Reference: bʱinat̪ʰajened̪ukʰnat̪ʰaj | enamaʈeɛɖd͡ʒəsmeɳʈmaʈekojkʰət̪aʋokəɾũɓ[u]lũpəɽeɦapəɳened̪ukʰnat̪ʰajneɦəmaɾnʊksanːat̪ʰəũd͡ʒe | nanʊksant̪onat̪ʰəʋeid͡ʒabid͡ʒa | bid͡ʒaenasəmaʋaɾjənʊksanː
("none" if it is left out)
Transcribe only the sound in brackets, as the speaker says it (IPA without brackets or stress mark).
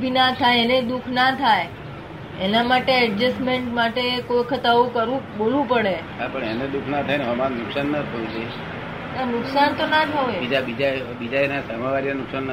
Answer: o